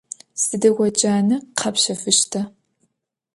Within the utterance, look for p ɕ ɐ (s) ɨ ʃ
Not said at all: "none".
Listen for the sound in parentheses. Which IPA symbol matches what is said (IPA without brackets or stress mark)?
f